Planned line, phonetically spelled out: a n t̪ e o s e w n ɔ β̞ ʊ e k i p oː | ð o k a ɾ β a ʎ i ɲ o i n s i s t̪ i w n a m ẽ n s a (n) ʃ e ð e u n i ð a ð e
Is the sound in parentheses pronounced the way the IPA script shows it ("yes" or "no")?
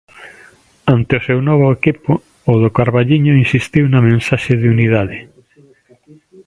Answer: no